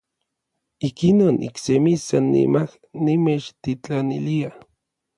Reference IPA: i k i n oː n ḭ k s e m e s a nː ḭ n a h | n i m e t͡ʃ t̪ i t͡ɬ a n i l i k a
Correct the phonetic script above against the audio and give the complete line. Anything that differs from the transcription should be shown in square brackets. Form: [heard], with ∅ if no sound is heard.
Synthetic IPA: i k i n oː n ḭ k s e m [i] s a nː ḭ [m] a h | n i m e t͡ʃ t̪ i t͡ɬ a n i l i [∅] a